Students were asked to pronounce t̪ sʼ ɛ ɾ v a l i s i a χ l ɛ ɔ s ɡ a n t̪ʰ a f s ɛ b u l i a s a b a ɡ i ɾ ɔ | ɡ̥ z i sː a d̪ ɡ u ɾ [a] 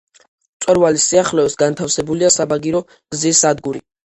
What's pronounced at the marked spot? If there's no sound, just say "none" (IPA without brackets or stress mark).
i